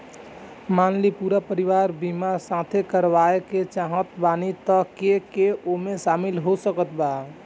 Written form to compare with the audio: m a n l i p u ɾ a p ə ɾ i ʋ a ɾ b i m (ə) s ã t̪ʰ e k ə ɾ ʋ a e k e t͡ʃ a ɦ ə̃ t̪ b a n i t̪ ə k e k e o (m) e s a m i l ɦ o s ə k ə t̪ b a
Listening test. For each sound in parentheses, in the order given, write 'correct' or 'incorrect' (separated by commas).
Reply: incorrect, correct